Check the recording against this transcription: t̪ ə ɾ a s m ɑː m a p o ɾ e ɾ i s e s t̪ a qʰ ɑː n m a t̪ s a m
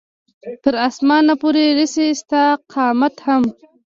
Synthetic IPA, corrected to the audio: t̪ ə ɾ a s m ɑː n a p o ɾ e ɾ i s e s t̪ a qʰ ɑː m a t̪ h a m

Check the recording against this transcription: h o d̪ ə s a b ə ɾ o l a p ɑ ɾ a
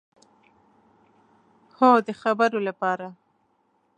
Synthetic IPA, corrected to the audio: h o d̪ ə x a b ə ɾ o l a p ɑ ɾ a

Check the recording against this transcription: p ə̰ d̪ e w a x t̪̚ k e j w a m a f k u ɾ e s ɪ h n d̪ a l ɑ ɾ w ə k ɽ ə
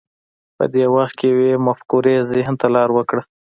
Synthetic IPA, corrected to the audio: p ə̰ d̪ e w a x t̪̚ k e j w e m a f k u ɾ e z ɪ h n t̪ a l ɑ ɾ w ə k ɽ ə

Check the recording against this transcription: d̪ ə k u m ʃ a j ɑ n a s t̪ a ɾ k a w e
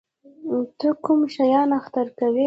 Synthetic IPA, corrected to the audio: t̪ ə k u m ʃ a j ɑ n a x t̪ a ɾ k a w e

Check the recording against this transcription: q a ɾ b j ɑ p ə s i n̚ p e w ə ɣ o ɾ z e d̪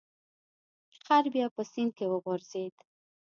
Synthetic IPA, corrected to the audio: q a ɾ b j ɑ p ə s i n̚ k e w ə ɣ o ɾ z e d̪

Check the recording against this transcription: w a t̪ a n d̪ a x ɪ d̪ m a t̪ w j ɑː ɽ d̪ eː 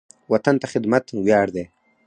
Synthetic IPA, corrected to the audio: w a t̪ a n t̪ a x ɪ d̪ m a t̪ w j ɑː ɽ d̪ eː

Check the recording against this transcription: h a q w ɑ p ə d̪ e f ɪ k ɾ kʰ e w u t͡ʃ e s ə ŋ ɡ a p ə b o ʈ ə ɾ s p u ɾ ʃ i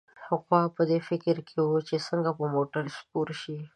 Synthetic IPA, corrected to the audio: h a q w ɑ p ə d̪ e f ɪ k ɾ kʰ e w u t͡ʃ e s ə ŋ ɡ a p ə m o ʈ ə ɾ s p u ɾ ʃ i

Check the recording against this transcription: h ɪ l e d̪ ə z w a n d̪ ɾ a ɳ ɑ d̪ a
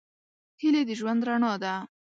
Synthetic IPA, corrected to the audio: h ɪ l e d̪ ə ʒ w a n d̪ ɾ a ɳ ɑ d̪ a

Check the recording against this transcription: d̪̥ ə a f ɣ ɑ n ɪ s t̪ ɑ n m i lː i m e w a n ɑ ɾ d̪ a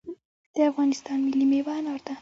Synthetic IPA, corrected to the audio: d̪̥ ə a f ɣ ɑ n ɪ s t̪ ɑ n m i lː i m e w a n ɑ ɾ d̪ a

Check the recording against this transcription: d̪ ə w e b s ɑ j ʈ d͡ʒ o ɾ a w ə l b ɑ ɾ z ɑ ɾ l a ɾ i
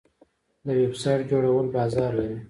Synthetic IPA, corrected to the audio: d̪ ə w e b s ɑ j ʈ d͡ʒ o ɽ a w ə l b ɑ z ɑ ɾ l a ɾ i

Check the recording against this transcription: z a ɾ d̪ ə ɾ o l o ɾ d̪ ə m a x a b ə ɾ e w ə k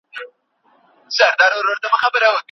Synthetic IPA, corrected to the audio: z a ɾ d̪ ɑ ɾ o ɾ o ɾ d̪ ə m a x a b ə ɾ a w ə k

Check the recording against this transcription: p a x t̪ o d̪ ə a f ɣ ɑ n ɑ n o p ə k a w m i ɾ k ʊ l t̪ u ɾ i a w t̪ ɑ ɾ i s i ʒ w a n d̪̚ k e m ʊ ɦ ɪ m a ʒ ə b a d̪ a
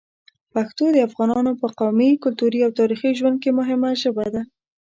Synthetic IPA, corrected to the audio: p a x t̪ o d̪ ə a f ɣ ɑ n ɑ n o p ə q a w m i k ʊ l t̪ u ɾ i a w t̪ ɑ ɾ i x i ʒ w a n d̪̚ k e m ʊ ɦ ɪ m a ʒ ə b a d̪ a

